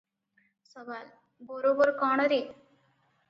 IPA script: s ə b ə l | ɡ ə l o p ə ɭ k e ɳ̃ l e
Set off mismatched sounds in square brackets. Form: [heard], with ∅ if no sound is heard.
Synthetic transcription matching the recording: s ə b [a] l | [b] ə [ɾ] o [b] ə [ɾ] k [a] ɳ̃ [ɾ] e